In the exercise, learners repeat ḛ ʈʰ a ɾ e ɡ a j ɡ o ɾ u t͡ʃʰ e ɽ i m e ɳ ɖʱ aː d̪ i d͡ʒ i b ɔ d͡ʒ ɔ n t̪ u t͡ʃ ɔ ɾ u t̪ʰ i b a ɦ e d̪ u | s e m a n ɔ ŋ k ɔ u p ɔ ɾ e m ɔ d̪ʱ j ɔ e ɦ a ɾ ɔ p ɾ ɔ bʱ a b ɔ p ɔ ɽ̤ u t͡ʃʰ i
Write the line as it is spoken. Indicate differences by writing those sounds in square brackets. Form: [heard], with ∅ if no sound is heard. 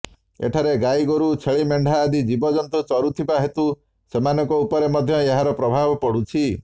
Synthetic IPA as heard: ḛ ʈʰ a ɾ e ɡ a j ɡ o ɾ u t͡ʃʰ e [ɭ] i m e ɳ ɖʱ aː d̪ i d͡ʒ i b ɔ d͡ʒ ɔ n t̪ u t͡ʃ ɔ ɾ u t̪ʰ i b a ɦ e [t̪] u | s e m a n ɔ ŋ k ɔ u p ɔ ɾ e m ɔ d̪ʱ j ɔ e ɦ a ɾ ɔ p ɾ ɔ bʱ a b ɔ p ɔ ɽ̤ u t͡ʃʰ i